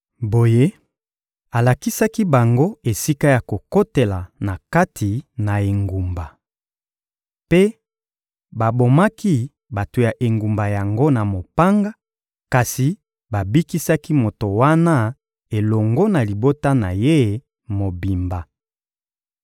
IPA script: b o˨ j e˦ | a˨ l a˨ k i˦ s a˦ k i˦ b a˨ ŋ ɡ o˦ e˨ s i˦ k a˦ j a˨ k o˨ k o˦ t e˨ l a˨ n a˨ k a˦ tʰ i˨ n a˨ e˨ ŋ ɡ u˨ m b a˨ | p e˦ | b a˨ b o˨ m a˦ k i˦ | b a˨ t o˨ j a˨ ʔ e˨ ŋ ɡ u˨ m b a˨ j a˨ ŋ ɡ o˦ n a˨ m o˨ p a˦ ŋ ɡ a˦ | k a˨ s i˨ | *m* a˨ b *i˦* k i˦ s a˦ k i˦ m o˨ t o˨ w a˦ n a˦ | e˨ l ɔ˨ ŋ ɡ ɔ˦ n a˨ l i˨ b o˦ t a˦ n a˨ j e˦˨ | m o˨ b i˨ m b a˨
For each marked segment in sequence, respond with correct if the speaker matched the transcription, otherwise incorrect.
incorrect, correct

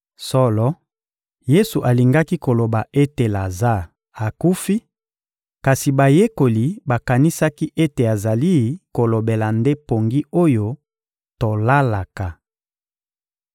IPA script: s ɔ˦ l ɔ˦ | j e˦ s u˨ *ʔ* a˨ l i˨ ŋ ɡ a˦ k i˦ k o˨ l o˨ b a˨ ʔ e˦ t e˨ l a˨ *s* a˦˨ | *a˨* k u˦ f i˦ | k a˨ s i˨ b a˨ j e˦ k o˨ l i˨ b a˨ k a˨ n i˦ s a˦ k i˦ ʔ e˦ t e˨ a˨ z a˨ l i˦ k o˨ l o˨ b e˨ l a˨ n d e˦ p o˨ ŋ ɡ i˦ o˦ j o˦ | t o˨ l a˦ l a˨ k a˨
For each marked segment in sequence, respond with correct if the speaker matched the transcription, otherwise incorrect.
correct, incorrect, correct

